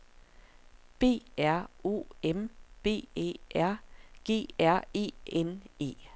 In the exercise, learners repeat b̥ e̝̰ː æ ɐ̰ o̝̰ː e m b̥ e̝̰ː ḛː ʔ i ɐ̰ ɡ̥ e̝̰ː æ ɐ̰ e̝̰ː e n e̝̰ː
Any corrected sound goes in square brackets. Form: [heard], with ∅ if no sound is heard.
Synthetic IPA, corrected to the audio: b̥ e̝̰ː æ ɐ̰ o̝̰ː e m b̥ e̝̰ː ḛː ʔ [æ] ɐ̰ ɡ̥ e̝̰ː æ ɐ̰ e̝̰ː e n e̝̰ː